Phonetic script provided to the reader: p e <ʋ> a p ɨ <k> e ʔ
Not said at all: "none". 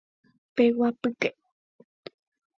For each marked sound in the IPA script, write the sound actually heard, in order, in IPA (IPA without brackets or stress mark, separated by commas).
w, k